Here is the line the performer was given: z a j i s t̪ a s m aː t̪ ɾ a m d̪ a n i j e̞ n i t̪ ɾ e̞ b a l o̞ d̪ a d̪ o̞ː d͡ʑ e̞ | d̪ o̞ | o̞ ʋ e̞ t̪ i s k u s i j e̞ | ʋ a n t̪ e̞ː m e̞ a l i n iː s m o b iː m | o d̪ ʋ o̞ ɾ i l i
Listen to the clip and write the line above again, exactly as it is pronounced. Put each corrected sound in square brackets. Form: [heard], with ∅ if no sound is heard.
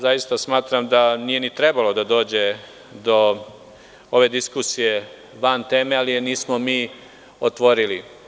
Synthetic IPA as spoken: z a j i s t̪ a s m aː t̪ ɾ a m d̪ a n i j e̞ n i t̪ ɾ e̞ b a l o̞ d̪ a d̪ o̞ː d͡ʑ e̞ | d̪ o̞ | o̞ ʋ e̞ [d̪] i s k u s i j e̞ | ʋ a n t̪ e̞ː m e̞ a l i n iː s m o [m] iː [∅] | o [t̪] ʋ o̞ ɾ i l i